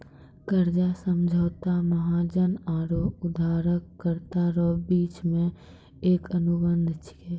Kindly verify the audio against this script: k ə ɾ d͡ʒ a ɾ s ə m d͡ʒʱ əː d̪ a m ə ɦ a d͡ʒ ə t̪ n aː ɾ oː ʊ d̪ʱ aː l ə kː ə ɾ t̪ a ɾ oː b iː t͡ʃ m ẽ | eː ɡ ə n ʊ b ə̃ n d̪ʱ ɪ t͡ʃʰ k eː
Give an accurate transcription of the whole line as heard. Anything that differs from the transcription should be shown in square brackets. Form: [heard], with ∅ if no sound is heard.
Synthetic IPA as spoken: k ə ɾ d͡ʒ a [∅] s ə m d͡ʒʱ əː [t̪] a m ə ɦ a d͡ʒ ə [∅] n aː ɾ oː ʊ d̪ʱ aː [ɾ] ə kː ə ɾ t̪ a ɾ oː b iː t͡ʃ m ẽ | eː [k] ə n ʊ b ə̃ n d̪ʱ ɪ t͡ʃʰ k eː